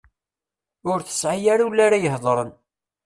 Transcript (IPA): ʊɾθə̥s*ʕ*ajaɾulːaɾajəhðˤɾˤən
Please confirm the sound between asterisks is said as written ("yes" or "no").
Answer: yes